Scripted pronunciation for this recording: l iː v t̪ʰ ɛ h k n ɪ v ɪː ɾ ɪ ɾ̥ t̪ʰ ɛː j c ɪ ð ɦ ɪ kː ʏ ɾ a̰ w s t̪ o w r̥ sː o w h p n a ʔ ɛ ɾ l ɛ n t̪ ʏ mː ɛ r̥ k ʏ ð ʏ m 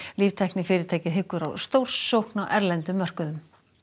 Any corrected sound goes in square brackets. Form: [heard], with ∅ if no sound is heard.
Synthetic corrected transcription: l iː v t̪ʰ ɛ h k n ɪ [f] ɪː ɾ ɪ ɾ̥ t̪ʰ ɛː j c ɪ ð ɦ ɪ kː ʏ ɾ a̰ w s t̪ o w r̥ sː o w h [k] n a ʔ ɛ ɾ l ɛ n t̪ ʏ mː [œ] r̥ k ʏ ð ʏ m

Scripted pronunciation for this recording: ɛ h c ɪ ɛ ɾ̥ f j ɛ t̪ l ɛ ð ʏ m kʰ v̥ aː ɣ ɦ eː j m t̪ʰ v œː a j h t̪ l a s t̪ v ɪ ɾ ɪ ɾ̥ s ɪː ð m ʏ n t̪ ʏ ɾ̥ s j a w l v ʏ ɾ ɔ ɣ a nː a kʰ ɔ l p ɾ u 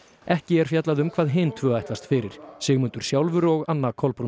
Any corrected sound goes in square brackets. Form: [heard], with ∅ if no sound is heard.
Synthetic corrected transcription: ɛ h c ɪ ɛ ɾ̥ f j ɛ t̪ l [a] ð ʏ m kʰ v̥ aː [ð] ɦ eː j m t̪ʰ v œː a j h t̪ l a s t̪ [f] ɪ ɾ ɪ ɾ̥ s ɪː [ɣ] m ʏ n t̪ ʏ ɾ̥ s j a w l v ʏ ɾ ɔ ɣ a nː a kʰ ɔ l p ɾ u

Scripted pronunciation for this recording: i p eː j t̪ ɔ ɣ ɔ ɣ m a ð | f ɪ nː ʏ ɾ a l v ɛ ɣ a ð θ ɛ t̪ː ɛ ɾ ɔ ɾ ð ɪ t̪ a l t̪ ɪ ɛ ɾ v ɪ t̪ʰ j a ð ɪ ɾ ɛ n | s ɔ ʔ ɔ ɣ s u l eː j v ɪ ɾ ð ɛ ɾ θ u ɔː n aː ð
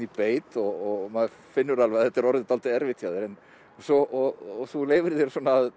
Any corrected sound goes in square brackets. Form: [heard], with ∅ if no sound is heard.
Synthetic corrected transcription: i p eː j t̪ ɔ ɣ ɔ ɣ m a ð | f ɪ nː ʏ ɾ a l v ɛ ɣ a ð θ ɛ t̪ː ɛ ɾ ɔ ɾ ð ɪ t̪ a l t̪ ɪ ɛ ɾ v ɪ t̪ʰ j a ð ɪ ɾ ɛ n | s ɔ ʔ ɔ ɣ [θ] u l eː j v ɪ ɾ ð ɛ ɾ [s] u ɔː n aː ð

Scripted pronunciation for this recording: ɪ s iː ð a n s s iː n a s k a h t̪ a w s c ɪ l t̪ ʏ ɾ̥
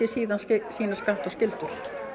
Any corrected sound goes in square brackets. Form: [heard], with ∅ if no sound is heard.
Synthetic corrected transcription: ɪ s iː ð a n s s iː n a s k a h t̪ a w s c ɪ l t̪ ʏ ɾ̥

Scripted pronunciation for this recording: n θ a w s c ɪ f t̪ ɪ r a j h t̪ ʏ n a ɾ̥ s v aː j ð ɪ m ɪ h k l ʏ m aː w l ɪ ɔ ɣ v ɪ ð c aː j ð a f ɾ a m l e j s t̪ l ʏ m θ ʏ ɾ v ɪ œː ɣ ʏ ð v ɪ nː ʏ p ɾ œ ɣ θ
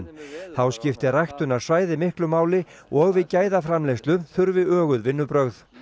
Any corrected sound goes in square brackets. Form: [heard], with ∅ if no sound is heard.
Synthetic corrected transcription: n θ a w s c ɪ f t̪ ɪ r a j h t̪ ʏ n a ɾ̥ s v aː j ð ɪ m ɪ h k l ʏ m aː w l ɪ ɔ ɣ v ɪ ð c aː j ð a f ɾ a m l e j s t̪ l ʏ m θ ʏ ɾ v ɪ œː ɣ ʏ ð v ɪ nː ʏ p ɾ œ ɣ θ

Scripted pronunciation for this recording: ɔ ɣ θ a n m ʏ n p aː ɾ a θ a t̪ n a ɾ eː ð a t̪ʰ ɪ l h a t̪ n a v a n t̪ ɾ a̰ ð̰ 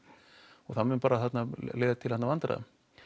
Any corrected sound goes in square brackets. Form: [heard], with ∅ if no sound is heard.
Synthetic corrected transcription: ɔ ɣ θ a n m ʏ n p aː ɾ a θ a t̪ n a [l] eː ð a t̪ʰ ɪ l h a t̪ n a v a n t̪ ɾ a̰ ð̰

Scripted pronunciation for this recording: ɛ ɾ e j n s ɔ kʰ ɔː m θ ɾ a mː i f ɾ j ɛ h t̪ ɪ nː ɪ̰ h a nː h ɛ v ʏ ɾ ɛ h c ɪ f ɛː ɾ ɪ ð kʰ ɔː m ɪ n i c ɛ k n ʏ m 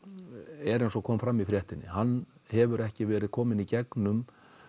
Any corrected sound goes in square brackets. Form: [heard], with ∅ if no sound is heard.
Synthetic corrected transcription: ɛ ɾ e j n s ɔ kʰ ɔː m [f] ɾ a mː i f ɾ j ɛ h t̪ ɪ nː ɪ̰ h a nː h ɛ v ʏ ɾ ɛ h c ɪ [v] ɛː ɾ ɪ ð kʰ ɔː m ɪ n i c ɛ k n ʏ m

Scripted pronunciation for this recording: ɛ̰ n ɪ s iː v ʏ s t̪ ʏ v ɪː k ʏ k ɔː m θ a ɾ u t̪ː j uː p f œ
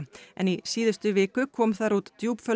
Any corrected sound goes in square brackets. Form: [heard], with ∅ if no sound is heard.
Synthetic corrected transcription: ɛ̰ n [i] s iː [ð] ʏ s t̪ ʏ v ɪː k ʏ [kʰ] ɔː m θ a ɾ u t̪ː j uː p f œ

